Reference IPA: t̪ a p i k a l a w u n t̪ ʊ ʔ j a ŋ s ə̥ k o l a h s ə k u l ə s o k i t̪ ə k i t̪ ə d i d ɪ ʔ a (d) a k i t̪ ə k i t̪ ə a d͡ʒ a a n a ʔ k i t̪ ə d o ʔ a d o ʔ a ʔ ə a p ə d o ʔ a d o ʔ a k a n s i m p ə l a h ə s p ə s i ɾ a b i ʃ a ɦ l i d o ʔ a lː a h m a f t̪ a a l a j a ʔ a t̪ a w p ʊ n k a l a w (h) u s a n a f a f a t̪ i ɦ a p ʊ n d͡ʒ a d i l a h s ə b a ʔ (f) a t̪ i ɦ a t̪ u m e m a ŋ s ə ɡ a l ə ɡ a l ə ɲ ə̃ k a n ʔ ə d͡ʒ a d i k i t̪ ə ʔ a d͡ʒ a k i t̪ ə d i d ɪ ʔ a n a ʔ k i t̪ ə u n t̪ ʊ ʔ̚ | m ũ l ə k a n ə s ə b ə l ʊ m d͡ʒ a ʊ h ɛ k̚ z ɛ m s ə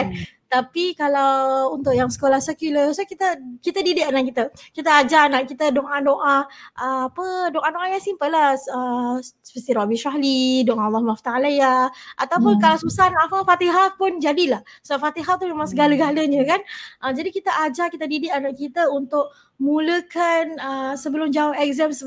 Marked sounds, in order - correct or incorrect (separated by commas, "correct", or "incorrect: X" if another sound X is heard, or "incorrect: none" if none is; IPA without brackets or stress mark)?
incorrect: n, incorrect: s, correct